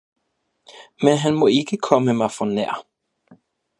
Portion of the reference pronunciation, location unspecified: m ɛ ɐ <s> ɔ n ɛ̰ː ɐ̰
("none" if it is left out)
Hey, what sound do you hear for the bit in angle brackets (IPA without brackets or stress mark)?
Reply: f